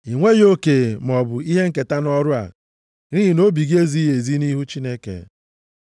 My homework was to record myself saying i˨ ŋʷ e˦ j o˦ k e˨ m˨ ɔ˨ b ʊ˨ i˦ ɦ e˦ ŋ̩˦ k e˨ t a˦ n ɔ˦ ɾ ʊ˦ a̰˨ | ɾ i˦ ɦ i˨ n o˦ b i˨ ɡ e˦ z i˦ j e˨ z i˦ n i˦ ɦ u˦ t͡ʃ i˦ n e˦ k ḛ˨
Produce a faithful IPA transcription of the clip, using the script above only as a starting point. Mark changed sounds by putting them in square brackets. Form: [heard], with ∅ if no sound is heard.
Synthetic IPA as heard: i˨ ŋʷ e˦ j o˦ k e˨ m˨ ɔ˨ b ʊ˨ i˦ ɦ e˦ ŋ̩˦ k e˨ t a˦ n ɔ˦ ɾ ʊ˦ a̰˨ | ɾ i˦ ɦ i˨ n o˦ b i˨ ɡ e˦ z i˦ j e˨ z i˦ n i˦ ɦ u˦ t͡ʃ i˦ n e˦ k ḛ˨